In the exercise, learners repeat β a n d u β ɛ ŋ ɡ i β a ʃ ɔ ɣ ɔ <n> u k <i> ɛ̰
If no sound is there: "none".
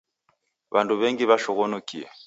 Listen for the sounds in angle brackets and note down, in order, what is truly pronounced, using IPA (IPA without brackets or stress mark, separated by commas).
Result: n, i